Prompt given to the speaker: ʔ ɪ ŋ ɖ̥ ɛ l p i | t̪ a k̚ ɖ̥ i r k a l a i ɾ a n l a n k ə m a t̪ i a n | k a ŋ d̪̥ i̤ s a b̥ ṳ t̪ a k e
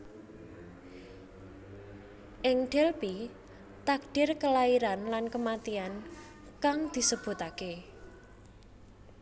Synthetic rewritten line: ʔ ɪ ŋ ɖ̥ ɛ l p i | t̪ a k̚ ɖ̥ ɪ r k ə l a i ɾ a n l a n k ə m a t̪ i a n | k a ŋ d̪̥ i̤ s ə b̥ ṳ t̪ a k e